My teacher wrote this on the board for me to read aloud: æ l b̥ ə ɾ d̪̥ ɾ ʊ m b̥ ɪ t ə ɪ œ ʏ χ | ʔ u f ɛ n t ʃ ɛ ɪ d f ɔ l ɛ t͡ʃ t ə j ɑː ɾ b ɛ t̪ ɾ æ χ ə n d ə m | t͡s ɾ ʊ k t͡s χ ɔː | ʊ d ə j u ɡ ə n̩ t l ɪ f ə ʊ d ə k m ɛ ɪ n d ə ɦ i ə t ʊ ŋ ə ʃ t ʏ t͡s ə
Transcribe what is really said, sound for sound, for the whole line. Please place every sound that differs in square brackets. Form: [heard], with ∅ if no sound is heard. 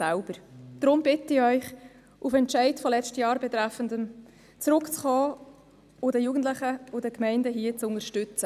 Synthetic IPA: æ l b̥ ə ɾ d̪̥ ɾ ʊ m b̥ ɪ t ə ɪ œ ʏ χ | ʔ u f ɛ n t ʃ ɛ ɪ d f ɔ l ɛ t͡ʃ t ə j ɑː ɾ b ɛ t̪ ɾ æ [f] ə n d ə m | t͡s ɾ ʊ k t͡s χ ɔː | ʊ d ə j u ɡ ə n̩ t l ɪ [χ] ə ʊ d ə k m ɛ ɪ n d ə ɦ i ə [t͡s] ʊ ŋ ə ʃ t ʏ t͡s ə